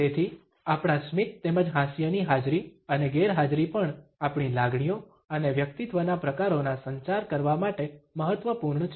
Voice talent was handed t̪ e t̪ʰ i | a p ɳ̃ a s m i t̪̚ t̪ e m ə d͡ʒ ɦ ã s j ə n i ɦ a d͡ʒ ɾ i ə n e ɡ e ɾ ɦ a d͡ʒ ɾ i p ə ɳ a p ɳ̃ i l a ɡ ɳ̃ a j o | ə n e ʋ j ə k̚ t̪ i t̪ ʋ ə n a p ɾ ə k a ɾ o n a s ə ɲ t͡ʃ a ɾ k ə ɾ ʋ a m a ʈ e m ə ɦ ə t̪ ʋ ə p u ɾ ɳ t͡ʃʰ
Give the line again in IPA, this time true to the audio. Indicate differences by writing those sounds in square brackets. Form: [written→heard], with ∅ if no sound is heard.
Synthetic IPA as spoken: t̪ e t̪ʰ i | a p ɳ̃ a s m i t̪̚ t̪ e m ə d͡ʒ ɦ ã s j ə n i ɦ a d͡ʒ ɾ i ə n e ɡ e ɾ ɦ a d͡ʒ ɾ i p ə ɳ a p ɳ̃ i l a ɡ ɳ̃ [a→i] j o | ə n e ʋ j ə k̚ t̪ i t̪ ʋ ə n a p ɾ ə k a ɾ o n a s ə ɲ t͡ʃ a ɾ k ə ɾ ʋ a m a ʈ e m ə ɦ ə t̪ ʋ ə p u ɾ ɳ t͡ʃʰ